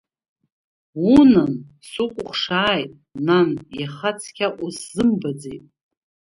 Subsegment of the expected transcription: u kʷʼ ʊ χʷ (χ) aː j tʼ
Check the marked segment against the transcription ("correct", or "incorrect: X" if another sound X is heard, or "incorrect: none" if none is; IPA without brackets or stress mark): incorrect: ʂ